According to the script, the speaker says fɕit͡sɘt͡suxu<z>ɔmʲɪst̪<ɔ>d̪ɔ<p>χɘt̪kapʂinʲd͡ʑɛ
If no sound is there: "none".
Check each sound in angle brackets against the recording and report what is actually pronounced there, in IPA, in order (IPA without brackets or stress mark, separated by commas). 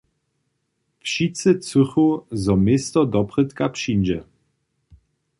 z, ɔ, p